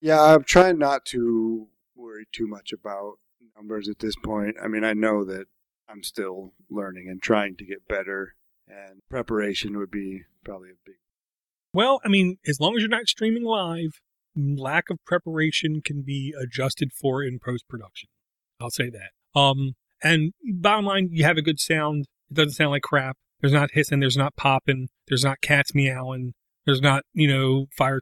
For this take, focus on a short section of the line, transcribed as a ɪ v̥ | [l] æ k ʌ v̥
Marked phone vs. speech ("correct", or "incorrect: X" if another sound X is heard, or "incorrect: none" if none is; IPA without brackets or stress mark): correct